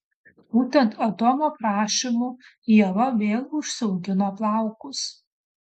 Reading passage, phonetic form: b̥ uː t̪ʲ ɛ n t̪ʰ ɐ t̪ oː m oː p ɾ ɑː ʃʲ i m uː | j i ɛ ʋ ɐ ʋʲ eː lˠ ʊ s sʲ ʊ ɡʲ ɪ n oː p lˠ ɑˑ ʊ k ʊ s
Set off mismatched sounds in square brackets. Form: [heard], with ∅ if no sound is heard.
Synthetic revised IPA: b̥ uː t̪ʲ ɛ n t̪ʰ ɐ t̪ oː m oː p ɾ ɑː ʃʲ i m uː | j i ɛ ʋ ɐ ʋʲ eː lˠ ʊ [ʃ] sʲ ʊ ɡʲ ɪ n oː p lˠ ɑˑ ʊ k ʊ s